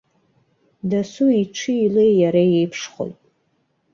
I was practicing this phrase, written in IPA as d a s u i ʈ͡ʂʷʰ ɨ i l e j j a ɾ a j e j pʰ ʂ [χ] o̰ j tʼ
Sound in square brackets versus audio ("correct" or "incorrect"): correct